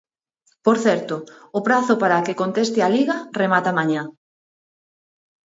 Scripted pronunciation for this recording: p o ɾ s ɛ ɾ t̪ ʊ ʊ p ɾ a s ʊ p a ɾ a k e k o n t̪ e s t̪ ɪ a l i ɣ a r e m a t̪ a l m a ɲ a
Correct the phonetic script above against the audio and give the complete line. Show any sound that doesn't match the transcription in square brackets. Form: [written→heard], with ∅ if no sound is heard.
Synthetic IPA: p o ɾ [s→θ] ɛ ɾ t̪ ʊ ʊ p ɾ a [s→θ] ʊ p a ɾ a k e k o n t̪ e s t̪ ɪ a l i ɣ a r e m a t̪ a [l→∅] m a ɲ a